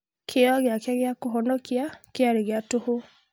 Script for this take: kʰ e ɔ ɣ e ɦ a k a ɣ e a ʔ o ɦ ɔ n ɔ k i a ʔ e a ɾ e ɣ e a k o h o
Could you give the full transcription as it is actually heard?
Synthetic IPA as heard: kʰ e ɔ ɣ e a k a ɣ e a k o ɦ ɔ n ɔ k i a k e a ɾ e ɣ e a t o h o